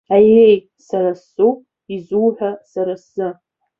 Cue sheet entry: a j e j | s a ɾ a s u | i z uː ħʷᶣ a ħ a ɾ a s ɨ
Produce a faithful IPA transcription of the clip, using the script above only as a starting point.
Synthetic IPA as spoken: a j e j | s a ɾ a s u | i z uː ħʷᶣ a s a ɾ a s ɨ